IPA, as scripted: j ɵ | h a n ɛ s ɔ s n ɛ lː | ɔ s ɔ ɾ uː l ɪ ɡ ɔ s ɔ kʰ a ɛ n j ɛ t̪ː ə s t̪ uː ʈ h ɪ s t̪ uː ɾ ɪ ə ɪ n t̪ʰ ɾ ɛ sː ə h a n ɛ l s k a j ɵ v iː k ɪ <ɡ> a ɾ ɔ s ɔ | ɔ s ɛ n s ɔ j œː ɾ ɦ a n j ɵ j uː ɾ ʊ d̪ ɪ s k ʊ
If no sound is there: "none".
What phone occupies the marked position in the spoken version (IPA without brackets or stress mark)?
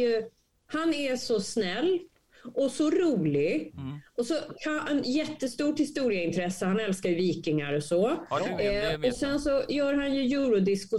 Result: ŋ